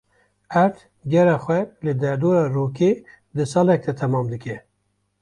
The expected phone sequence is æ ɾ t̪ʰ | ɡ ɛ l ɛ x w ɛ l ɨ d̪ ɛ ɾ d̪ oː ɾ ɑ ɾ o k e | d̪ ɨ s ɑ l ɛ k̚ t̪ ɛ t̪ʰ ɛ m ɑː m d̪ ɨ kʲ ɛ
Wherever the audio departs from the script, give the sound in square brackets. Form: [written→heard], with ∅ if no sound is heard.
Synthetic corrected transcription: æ ɾ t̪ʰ | ɡ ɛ [l→ɾ] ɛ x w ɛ l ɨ d̪ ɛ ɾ d̪ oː ɾ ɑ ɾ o k e | d̪ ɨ s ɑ l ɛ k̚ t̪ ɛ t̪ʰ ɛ m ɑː m d̪ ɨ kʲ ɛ